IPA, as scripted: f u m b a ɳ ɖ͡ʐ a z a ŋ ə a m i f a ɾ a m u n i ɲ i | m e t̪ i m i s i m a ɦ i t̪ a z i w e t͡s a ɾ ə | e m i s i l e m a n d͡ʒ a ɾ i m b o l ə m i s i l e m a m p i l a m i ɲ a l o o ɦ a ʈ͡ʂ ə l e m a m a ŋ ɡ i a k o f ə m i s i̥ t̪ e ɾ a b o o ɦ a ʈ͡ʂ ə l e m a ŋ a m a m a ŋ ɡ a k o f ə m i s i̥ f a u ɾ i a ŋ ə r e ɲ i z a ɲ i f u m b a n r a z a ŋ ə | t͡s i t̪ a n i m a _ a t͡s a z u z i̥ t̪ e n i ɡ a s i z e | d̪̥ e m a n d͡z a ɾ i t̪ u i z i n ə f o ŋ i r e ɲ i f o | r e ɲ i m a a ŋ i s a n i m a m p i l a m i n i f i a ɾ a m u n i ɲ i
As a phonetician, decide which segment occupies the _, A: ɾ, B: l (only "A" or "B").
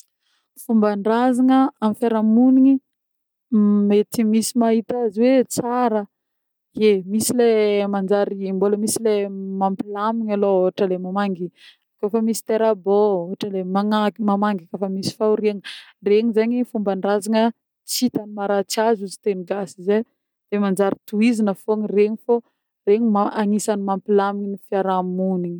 A